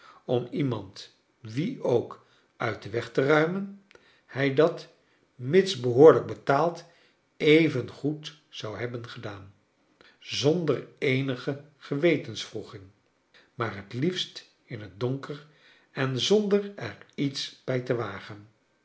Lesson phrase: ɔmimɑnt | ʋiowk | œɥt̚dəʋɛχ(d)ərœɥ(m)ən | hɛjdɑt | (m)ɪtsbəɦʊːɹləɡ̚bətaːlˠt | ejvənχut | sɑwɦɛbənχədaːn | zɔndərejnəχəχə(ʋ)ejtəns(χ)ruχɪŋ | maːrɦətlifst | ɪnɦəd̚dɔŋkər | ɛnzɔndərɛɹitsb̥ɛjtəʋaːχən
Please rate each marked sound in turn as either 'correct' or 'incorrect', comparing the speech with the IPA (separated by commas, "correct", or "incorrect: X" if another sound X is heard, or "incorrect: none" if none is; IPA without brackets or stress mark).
incorrect: t, correct, correct, correct, incorrect: f